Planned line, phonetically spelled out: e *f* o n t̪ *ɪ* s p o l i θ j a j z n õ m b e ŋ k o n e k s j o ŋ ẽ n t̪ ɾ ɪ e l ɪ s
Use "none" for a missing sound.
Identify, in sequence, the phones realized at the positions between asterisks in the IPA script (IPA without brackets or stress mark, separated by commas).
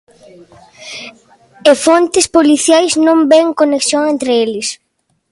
f, ɪ